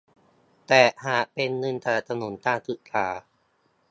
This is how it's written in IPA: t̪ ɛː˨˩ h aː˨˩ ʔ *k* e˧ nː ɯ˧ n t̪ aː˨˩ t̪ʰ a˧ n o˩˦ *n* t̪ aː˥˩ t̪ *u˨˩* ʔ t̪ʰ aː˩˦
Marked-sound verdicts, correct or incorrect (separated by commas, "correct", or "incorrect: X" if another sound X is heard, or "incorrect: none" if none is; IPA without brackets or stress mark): incorrect: p, correct, incorrect: ɯ˨˩